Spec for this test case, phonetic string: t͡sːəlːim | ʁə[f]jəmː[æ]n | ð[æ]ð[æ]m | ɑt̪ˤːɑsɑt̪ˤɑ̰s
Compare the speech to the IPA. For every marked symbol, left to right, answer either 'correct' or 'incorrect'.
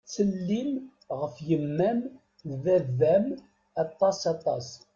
correct, correct, correct, correct

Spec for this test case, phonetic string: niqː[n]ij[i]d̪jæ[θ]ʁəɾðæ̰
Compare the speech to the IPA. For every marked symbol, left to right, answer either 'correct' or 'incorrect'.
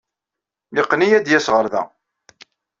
correct, incorrect: æ, incorrect: s

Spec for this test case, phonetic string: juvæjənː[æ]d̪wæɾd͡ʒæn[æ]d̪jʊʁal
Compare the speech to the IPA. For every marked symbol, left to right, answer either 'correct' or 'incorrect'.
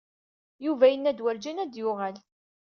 correct, correct

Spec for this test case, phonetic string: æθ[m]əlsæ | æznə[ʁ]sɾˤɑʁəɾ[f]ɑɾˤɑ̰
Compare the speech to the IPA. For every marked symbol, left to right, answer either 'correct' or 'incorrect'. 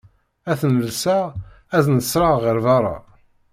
incorrect: n, incorrect: none, incorrect: v

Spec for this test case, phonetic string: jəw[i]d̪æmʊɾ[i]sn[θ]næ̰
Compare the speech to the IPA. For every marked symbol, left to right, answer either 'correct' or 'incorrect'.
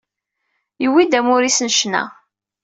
correct, correct, incorrect: ʃ

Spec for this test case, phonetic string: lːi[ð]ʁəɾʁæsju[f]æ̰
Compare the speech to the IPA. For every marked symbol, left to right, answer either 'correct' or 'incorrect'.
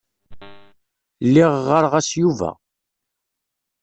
incorrect: ʁ, incorrect: v

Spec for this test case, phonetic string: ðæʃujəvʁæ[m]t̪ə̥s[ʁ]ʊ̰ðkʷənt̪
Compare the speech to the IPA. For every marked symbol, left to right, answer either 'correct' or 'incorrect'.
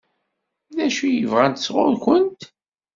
incorrect: n, correct

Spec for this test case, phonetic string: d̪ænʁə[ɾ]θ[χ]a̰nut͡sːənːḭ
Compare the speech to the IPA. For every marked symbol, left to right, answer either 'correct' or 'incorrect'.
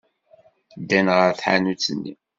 correct, incorrect: ħ

